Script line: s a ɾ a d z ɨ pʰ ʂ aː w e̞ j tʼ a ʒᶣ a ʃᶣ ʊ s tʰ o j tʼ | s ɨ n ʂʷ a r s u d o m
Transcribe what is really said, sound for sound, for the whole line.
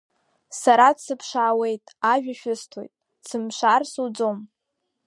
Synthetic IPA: s a ɾ a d s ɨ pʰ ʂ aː w e̞ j tʼ a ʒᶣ a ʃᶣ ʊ s tʰ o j tʼ | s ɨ m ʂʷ a r s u d͡z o m